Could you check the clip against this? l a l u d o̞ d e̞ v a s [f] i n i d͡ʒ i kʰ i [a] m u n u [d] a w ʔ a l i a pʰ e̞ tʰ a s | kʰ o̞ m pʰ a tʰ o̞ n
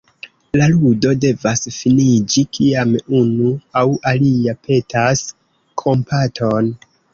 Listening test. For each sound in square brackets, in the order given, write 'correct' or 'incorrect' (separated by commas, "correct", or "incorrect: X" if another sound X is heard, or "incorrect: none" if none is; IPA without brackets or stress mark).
correct, correct, incorrect: none